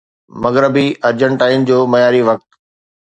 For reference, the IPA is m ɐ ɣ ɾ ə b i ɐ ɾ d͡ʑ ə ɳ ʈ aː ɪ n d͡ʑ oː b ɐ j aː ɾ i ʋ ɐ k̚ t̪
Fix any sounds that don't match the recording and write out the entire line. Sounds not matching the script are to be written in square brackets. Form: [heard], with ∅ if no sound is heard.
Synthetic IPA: m ɐ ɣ ɾ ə b i ɐ ɾ d͡ʑ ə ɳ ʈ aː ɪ n d͡ʑ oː [m] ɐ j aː ɾ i ʋ ɐ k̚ t̪